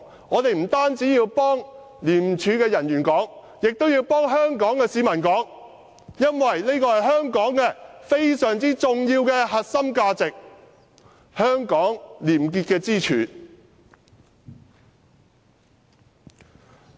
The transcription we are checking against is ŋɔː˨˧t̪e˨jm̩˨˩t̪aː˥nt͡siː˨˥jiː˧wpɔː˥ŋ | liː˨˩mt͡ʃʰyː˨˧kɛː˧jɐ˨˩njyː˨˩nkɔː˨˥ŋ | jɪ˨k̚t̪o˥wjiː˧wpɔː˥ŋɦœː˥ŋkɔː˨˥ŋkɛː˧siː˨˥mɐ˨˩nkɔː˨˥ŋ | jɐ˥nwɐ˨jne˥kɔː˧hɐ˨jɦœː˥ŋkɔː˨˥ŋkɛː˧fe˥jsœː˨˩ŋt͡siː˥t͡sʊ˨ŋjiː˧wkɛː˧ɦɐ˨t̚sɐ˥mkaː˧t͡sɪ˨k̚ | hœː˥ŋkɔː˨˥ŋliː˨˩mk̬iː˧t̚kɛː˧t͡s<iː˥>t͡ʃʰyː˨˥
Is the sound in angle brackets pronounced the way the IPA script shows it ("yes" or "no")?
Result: yes